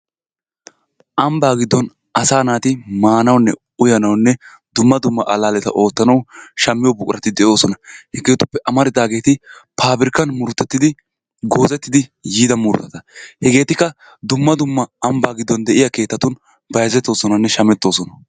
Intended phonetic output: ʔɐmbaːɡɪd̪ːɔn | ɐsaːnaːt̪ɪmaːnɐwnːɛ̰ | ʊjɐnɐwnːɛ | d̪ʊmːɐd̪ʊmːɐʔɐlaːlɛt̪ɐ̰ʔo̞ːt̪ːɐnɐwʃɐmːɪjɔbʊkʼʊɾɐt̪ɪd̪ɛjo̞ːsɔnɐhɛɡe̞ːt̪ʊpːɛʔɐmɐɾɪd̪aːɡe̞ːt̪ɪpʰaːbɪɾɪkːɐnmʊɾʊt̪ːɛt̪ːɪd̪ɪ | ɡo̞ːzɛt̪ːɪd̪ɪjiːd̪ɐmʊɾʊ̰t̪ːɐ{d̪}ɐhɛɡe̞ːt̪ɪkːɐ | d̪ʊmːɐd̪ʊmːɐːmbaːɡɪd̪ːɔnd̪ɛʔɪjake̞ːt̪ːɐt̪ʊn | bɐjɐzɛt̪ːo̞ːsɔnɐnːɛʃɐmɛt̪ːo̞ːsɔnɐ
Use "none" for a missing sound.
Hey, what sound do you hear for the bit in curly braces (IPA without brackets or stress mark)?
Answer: t̪